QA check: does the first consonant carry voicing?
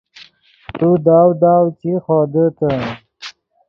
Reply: no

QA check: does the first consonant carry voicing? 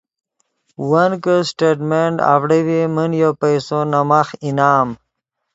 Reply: yes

